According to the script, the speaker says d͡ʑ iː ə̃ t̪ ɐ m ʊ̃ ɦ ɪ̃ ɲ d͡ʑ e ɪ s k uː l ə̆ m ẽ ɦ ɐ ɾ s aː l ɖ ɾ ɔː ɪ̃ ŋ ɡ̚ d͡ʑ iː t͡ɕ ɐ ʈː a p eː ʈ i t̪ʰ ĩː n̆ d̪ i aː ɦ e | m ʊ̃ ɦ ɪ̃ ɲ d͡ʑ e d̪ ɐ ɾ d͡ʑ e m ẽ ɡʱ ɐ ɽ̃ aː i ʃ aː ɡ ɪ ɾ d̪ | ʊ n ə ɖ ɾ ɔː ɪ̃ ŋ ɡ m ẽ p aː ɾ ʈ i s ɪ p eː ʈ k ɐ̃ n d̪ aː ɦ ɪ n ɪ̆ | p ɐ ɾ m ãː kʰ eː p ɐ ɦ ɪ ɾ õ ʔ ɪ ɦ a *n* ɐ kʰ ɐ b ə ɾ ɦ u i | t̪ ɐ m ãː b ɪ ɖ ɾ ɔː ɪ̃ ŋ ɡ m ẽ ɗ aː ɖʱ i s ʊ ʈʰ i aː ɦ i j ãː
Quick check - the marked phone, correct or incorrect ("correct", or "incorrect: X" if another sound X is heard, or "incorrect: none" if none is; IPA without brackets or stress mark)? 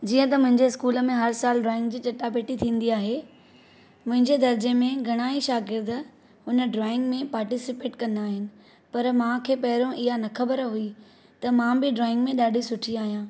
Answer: correct